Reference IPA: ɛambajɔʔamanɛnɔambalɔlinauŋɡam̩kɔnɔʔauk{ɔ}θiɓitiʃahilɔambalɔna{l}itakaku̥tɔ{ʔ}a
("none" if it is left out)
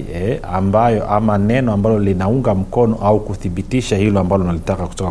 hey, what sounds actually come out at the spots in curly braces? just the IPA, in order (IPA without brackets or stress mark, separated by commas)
u, l, k